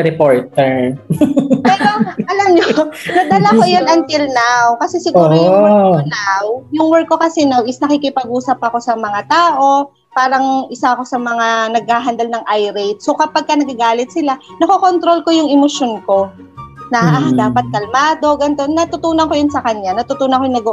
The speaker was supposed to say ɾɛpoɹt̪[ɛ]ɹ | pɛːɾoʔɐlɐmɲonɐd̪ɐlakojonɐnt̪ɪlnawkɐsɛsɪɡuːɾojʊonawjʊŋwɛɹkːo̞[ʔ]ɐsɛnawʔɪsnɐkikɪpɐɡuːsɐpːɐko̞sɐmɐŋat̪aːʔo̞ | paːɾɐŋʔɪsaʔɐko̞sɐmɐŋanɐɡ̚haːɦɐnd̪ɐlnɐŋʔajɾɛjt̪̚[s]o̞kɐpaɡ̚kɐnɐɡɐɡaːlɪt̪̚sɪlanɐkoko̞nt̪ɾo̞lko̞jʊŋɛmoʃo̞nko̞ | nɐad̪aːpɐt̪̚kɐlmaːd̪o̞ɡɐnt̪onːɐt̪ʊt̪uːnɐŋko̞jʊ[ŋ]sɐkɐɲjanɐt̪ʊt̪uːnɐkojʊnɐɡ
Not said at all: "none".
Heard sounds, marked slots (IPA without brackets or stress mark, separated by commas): ɛ, k, s, n